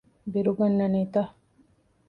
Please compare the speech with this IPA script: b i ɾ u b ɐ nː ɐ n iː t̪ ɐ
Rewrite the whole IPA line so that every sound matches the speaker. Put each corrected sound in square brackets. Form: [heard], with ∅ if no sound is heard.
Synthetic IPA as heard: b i ɾ u [ɡ] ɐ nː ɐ n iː t̪ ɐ